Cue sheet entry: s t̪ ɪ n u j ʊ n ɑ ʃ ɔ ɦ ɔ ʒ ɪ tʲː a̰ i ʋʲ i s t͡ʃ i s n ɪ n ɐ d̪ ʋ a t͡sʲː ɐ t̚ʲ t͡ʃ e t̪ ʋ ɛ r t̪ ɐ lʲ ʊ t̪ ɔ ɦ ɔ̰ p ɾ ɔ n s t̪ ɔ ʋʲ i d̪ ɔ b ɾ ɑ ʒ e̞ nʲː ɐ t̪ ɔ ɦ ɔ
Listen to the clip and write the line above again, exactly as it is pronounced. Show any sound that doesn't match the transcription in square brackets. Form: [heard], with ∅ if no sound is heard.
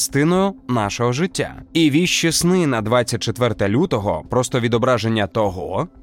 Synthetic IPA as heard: s t̪ ɪ n [ɔ] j ʊ n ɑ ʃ ɔ ɦ ɔ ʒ ɪ tʲː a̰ i ʋʲ i [ʃ] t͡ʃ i s n ɪ n ɐ d̪ ʋ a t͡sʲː ɐ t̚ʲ t͡ʃ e t̪ ʋ ɛ r t̪ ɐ lʲ [u] t̪ ɔ ɦ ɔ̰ p ɾ ɔ [∅] s t̪ ɔ ʋʲ i d̪ ɔ b ɾ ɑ ʒ e̞ nʲː ɐ t̪ ɔ ɦ ɔ